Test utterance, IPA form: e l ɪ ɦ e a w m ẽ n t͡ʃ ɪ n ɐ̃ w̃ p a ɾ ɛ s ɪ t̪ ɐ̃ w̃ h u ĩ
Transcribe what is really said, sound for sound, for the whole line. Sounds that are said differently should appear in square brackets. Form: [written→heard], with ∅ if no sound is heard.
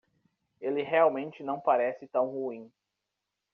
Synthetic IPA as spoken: e l ɪ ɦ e a w m ẽ n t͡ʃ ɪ n ɐ̃ w̃ p a ɾ ɛ s ɪ t̪ ɐ̃ w̃ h u ĩ